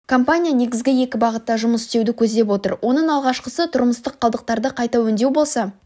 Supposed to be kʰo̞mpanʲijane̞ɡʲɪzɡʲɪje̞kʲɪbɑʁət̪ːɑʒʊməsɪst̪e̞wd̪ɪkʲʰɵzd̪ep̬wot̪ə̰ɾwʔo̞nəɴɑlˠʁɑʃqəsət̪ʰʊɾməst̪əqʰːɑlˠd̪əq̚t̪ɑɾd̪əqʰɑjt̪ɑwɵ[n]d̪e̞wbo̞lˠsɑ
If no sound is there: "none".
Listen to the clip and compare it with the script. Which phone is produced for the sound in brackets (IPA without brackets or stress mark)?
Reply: n